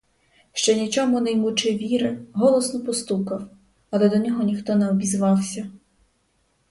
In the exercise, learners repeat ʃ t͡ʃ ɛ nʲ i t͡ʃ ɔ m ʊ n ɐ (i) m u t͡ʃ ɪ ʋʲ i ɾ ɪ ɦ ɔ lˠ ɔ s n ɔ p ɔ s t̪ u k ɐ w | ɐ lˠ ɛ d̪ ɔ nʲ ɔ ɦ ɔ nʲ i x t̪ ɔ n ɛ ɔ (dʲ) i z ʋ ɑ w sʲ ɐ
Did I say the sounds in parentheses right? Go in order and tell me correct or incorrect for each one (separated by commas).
incorrect, incorrect